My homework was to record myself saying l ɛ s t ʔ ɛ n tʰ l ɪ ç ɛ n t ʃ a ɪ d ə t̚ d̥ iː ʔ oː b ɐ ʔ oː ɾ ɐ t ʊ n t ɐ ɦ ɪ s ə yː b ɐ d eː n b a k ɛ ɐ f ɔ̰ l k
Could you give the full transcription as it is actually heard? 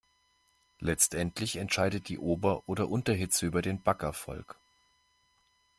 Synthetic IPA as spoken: l ɛ t͡s t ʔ ɛ n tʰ l ɪ ç ɛ n t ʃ a ɪ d ə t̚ d̥ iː ʔ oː b ɐ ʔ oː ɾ ɐ ʔ ʊ n t ɐ ɦ ɪ t͡s ə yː b ɐ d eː n b a k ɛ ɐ f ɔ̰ l k